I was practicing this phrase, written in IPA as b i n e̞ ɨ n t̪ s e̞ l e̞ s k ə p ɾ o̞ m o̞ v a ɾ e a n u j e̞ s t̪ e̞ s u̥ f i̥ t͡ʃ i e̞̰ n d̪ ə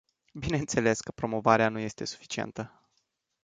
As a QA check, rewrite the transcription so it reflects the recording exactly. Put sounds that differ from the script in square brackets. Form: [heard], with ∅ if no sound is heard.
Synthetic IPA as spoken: b i n e̞ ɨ n t̪ s e̞ l e̞ s k ə p ɾ o̞ m o̞ v a ɾ e a n u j e̞ s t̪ e̞ s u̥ f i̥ t͡ʃ i e̞̰ n [t̪] ə